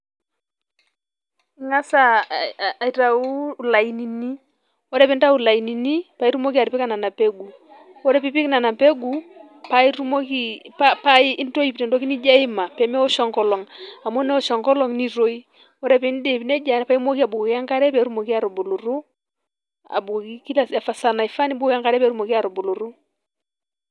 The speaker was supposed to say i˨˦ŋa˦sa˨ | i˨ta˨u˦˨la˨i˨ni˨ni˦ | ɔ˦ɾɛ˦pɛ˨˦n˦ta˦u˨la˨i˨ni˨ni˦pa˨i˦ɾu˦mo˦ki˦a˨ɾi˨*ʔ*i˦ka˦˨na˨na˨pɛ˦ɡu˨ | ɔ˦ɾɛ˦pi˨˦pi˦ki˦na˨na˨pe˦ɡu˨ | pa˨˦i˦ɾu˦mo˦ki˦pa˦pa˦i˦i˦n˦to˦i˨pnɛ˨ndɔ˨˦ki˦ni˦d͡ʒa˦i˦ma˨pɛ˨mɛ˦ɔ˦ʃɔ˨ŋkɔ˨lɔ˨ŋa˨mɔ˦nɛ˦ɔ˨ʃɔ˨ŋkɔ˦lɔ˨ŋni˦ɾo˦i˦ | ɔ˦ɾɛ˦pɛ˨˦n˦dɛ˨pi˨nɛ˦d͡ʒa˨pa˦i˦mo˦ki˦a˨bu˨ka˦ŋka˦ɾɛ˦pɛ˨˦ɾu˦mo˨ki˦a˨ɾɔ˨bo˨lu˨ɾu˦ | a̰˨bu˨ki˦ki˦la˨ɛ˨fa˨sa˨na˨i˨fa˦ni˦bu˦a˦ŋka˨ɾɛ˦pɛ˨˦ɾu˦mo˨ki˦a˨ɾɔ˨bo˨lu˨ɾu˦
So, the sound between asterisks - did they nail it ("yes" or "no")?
no